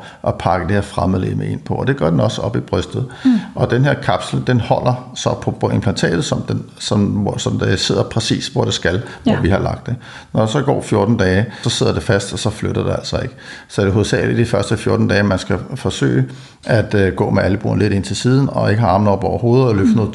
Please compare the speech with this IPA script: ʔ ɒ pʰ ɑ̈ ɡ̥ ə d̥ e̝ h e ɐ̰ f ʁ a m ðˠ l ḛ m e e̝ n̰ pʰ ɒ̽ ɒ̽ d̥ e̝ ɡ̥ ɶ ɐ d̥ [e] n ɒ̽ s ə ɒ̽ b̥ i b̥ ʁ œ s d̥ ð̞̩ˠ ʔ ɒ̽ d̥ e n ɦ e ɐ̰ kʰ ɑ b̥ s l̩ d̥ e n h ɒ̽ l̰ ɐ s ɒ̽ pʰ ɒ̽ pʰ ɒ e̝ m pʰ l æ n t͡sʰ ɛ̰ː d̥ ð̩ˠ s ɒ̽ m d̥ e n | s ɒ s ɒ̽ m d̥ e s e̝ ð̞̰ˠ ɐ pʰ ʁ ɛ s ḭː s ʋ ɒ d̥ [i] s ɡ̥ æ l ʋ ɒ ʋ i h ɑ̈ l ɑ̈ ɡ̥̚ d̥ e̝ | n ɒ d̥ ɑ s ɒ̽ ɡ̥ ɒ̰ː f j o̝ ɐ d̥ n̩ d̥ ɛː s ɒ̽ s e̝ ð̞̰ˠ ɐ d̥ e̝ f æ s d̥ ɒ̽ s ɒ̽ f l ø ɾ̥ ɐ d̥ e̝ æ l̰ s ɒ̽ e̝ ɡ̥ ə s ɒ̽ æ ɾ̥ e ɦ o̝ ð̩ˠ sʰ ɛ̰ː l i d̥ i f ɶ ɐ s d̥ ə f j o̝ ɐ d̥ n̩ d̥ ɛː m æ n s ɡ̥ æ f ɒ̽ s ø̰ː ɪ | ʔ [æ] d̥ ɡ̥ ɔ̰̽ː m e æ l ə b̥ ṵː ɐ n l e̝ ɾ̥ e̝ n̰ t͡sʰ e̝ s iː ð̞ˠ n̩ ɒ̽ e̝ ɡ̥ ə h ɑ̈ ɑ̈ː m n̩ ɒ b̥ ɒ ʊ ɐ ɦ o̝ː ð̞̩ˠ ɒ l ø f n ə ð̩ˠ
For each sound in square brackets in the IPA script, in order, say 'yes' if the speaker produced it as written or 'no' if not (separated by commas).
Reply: yes, no, yes